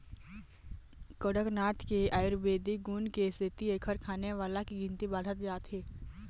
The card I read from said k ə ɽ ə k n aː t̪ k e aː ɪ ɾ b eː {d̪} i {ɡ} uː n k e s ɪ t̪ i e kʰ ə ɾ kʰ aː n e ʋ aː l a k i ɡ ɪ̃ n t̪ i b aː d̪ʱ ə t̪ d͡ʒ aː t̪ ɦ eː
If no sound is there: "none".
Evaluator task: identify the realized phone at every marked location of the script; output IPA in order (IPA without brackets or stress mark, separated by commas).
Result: d̪, ɡ